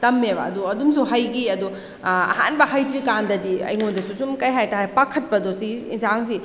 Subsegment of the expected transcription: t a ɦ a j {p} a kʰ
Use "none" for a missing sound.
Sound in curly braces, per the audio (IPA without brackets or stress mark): p